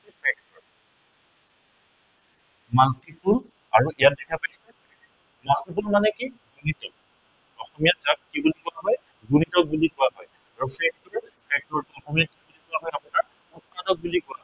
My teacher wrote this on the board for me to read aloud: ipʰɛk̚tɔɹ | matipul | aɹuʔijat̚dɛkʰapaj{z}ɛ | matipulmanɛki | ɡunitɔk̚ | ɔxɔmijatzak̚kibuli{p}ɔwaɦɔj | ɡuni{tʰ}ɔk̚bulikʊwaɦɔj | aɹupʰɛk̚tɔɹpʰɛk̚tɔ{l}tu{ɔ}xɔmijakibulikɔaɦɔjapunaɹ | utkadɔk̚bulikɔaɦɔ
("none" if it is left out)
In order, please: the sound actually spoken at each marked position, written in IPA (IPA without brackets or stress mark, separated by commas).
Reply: s, k, t, ɹ, ɔ